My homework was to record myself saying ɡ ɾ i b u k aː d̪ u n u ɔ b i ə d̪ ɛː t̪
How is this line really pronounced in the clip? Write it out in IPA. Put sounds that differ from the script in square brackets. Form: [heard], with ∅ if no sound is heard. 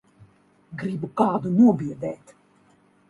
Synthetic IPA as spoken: ɡ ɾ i b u k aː d̪ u n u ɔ b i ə d̪ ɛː t̪